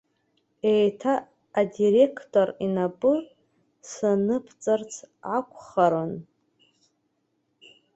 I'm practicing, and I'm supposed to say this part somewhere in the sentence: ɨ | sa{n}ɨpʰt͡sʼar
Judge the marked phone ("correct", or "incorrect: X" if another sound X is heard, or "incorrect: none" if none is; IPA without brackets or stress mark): correct